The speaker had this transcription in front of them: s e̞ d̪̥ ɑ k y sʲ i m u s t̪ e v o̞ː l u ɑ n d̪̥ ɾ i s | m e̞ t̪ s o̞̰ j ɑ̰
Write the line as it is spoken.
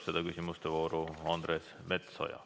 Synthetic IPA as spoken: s e̞ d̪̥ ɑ k y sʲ i m u s t̪ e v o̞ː ɾ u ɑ n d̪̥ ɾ e s | m e̞ t̪ s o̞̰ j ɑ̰